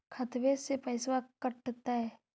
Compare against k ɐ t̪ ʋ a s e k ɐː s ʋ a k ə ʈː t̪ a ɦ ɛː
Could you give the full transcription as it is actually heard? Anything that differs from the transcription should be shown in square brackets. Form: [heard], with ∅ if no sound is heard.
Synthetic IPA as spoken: [kʰ] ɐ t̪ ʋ [e] s e [p] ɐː s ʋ a k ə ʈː t̪ a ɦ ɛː